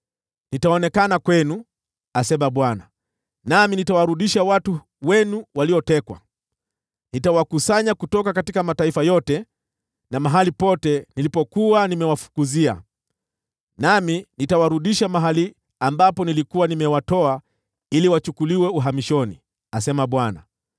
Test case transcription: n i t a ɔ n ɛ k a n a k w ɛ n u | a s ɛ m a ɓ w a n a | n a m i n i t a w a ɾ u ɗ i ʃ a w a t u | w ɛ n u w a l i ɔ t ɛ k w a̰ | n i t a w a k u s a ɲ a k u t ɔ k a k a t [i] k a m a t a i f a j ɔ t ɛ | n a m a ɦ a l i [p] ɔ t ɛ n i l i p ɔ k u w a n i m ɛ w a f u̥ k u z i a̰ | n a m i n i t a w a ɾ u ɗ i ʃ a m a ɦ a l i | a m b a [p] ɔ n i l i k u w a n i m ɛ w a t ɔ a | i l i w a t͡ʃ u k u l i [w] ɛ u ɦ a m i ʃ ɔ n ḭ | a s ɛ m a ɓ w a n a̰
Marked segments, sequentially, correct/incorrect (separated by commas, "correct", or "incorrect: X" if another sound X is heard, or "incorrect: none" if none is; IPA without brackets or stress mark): correct, correct, correct, correct